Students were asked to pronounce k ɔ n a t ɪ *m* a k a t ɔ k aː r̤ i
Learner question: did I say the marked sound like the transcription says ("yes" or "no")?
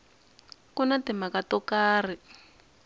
yes